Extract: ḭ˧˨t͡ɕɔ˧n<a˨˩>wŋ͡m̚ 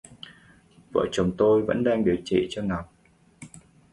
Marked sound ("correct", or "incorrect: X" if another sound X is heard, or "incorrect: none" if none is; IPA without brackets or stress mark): correct